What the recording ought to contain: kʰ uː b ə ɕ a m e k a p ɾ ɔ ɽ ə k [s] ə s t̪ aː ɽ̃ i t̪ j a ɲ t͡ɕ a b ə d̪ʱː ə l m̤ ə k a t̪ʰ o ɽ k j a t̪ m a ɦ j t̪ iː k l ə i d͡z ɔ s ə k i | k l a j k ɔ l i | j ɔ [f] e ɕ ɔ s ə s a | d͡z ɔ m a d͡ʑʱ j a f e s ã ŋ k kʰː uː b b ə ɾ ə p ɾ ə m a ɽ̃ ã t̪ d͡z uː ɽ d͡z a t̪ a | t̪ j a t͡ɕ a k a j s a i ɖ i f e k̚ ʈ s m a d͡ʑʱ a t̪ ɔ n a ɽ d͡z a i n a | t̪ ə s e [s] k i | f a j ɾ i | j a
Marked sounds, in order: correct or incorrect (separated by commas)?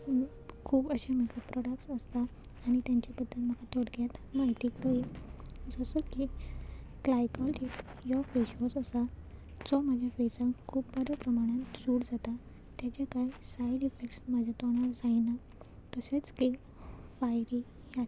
correct, correct, incorrect